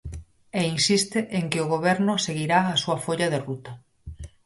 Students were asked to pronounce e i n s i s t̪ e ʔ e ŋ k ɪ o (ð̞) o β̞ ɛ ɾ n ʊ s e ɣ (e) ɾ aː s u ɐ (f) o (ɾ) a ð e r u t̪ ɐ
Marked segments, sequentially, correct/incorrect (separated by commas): incorrect, incorrect, correct, incorrect